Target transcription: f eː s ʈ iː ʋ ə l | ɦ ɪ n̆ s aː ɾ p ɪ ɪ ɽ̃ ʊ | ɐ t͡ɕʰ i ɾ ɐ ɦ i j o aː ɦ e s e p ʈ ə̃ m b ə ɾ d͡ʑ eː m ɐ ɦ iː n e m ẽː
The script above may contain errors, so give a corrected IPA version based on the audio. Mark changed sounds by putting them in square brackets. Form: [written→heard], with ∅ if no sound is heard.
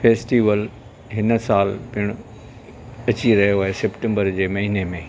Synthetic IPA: f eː s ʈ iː ʋ ə l | ɦ ɪ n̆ s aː [ɾ→l] p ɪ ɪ ɽ̃ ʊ | ɐ [t͡ɕʰ→t͡ɕ] i ɾ ɐ ɦ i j o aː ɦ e s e p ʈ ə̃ m b ə ɾ d͡ʑ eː m ɐ ɦ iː n e m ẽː